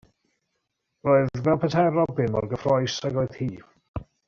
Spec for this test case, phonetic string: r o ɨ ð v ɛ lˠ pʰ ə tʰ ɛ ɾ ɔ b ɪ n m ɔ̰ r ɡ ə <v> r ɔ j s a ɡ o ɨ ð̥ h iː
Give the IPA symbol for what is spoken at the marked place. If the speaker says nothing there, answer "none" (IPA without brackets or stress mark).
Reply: f